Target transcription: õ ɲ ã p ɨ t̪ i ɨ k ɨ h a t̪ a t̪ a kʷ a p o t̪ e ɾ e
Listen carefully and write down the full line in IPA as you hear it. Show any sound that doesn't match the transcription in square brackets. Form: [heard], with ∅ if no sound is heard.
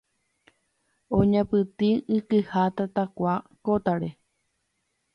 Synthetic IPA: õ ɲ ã p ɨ t̪ i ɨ k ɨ h a t̪ a t̪ a kʷ a [k] o t̪ [a] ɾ e